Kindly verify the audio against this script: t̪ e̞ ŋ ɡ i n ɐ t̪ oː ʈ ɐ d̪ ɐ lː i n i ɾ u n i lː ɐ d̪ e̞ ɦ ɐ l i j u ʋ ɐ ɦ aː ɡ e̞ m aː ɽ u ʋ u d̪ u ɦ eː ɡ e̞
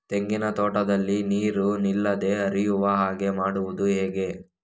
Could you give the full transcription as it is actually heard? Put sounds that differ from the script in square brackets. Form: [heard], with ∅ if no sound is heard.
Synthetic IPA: t̪ e̞ ŋ ɡ i n ɐ t̪ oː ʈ ɐ d̪ ɐ lː i n [iː] ɾ u n i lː ɐ d̪ e̞ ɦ ɐ [ɾ] i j u ʋ ɐ ɦ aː ɡ e̞ m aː ɽ u ʋ u d̪ u ɦ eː ɡ e̞